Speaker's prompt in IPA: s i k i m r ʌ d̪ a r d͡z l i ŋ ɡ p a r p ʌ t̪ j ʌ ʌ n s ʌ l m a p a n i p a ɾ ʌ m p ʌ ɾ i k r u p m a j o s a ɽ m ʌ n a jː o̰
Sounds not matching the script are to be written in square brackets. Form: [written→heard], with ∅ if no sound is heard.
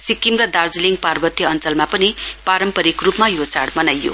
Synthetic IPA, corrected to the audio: s i k i m r ʌ d̪ a r d͡z l i ŋ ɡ p a r [p→b] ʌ t̪ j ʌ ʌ n [s→t͡s] ʌ l m a p [a→ʌ] n i p a ɾ ʌ m p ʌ ɾ i k r u p m a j o [s→t͡s] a ɽ m ʌ n a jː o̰